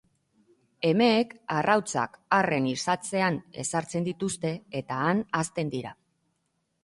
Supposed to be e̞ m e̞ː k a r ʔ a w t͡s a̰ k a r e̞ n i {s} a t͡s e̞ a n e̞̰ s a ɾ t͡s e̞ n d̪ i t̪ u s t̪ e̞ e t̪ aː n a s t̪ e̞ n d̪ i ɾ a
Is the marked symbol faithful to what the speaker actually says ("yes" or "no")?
yes